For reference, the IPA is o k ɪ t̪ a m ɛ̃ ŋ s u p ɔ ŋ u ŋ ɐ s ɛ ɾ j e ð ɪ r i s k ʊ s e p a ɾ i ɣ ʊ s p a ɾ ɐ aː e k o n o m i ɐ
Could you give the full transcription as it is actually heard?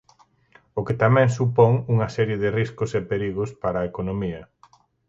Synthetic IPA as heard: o k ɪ t̪ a m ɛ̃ ŋ s u p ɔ ŋ u ŋ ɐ s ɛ ɾ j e ð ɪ r i s k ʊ s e p e ɾ i ɣ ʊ s p a ɾ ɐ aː e k o n o m i ɐ